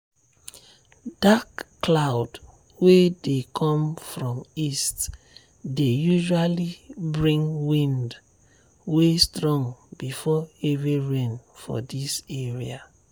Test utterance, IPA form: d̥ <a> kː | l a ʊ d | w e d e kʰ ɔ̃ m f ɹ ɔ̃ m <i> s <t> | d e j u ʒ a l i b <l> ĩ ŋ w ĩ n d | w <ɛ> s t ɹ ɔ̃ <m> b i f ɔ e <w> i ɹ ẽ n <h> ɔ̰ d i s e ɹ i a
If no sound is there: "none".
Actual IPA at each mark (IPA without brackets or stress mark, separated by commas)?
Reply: a, i, t, ɹ, e, ŋ, v, f